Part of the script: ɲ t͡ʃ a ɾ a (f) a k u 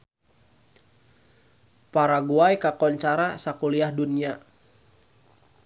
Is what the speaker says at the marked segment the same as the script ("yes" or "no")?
no